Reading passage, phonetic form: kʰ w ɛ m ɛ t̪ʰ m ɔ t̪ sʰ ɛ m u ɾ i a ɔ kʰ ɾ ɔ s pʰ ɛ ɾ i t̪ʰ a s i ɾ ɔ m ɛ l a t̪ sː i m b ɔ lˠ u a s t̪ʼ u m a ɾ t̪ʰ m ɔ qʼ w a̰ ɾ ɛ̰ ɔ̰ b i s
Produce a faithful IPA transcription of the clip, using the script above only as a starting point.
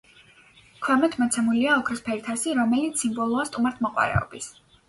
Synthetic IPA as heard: kʰ w ɛ m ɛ t̪ʰ m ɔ t̪ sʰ ɛ m u l i a ɔ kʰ ɾ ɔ s pʰ ɛ ɾ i t̪ʰ a s i ɾ ɔ m ɛ l i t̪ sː i m b ɔ lˠ u a s t̪ʼ u m a ɾ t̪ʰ m ɔ qʼ w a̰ ɾ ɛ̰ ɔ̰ b i s